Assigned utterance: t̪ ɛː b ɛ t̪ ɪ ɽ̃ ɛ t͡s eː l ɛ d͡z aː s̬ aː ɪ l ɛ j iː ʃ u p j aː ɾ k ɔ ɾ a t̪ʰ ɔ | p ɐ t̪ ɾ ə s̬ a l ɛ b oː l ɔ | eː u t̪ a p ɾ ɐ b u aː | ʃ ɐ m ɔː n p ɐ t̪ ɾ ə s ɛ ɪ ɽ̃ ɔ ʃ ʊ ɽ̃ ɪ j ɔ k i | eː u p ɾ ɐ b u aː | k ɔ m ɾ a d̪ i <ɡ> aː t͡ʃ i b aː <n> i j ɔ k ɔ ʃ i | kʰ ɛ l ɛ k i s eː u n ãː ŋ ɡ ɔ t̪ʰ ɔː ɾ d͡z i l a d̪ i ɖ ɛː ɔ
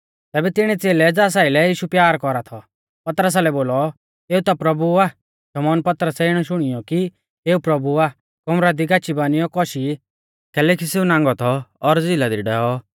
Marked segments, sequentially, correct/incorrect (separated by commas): correct, correct